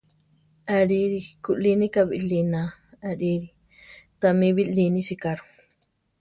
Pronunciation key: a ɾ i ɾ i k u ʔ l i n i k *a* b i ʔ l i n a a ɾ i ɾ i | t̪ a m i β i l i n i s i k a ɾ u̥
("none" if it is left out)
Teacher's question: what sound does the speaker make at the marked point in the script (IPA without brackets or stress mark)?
a